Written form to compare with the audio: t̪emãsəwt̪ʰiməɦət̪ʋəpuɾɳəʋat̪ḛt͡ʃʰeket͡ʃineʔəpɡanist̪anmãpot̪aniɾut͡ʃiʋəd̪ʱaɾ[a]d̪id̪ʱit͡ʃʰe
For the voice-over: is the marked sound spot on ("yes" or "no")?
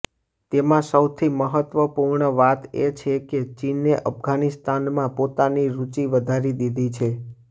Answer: no